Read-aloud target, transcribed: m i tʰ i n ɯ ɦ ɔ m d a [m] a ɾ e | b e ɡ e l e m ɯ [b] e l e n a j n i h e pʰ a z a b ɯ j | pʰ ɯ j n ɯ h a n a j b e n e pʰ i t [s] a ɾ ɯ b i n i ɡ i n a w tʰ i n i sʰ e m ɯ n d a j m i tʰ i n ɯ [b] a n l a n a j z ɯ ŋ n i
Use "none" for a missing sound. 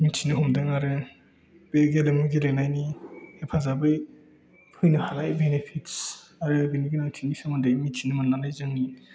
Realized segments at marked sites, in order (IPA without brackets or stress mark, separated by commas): ŋ, ɡ, s, m